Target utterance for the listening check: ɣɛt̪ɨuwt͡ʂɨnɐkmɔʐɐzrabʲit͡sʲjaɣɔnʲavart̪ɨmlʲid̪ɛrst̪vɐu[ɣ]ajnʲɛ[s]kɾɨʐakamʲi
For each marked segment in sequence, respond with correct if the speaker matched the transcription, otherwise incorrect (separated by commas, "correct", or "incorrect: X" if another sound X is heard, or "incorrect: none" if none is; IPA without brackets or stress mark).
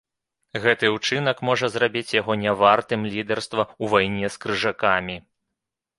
incorrect: v, correct